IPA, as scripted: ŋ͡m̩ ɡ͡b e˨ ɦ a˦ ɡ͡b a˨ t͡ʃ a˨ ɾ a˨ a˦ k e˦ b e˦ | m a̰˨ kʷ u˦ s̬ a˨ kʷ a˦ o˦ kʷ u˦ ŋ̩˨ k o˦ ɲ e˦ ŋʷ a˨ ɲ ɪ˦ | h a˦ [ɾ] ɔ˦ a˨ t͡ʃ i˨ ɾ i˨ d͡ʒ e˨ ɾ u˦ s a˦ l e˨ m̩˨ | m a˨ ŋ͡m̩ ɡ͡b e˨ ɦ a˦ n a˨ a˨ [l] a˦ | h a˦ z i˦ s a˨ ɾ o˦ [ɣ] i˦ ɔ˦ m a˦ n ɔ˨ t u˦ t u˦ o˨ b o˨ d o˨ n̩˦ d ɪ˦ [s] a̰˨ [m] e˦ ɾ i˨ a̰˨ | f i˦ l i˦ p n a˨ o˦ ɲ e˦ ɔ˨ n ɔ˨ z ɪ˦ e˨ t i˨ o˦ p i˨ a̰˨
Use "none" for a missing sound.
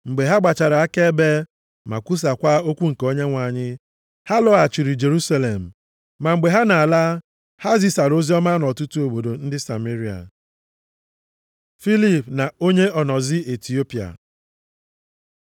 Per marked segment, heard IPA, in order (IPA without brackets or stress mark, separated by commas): l, l, z, s, m